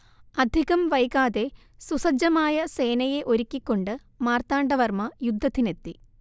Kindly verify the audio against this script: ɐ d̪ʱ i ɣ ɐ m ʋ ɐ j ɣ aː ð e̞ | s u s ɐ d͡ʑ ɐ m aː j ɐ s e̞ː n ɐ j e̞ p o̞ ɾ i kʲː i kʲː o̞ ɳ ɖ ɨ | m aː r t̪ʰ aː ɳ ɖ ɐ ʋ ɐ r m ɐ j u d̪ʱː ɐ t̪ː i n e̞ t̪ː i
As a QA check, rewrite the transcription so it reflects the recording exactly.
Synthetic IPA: ɐ d̪ʱ i ɣ ɐ m ʋ ɐ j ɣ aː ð e̞ | s u s ɐ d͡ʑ ɐ m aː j ɐ s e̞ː n ɐ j e̞ ʔ o̞ ɾ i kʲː i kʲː o̞ ɳ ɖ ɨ | m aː r t̪ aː ɳ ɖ ɐ ʋ ɐ r m ɐ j u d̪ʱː ɐ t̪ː i n e̞ t̪ː i